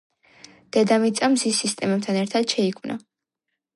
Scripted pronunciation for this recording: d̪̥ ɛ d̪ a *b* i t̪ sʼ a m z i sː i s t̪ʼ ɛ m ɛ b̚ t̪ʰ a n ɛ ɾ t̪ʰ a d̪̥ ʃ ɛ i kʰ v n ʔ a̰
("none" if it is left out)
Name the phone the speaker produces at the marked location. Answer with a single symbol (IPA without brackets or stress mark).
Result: m